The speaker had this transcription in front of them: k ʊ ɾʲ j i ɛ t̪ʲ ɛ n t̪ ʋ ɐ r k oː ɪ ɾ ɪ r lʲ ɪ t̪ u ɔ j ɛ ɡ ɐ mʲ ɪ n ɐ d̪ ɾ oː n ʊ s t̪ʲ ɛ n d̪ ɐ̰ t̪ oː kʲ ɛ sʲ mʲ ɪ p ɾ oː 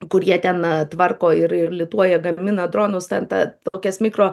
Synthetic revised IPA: k ʊ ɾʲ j i ɛ t̪ʲ ɛ n t̪ ʋ ɐ r k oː ɪ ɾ ɪ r lʲ ɪ t̪ u ɔ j ɛ ɡ ɐ mʲ ɪ n ɐ d̪ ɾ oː n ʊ s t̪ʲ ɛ n t̪ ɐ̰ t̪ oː kʲ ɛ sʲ mʲ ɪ k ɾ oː